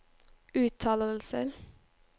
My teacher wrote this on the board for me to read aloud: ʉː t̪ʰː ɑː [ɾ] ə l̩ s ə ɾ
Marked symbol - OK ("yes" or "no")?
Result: no